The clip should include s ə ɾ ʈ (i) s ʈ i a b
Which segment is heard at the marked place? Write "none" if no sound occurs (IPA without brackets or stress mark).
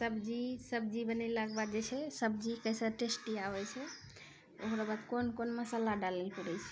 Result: e